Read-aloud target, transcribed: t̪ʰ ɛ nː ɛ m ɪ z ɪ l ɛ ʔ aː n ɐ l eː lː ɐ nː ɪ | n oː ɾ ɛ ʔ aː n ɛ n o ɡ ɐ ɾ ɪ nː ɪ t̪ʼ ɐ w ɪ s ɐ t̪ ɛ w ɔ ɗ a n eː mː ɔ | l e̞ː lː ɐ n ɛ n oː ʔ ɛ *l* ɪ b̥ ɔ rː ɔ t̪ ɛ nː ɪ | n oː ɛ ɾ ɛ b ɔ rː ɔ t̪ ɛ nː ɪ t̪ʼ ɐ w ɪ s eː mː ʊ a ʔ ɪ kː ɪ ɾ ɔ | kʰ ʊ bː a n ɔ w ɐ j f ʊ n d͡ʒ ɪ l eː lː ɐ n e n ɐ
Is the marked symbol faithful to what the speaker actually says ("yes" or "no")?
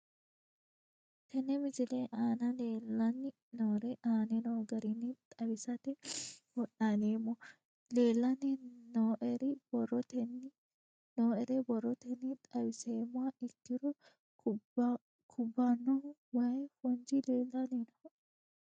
no